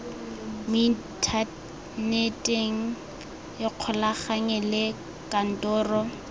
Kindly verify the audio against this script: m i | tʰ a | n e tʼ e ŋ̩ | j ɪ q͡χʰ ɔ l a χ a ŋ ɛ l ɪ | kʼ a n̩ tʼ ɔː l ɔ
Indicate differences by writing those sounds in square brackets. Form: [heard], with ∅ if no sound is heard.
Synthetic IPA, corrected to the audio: m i | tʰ a | n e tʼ e ŋ̩ | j ɪ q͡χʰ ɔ l a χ a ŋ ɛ l ɪ | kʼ a n̩ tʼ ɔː [r] ɔ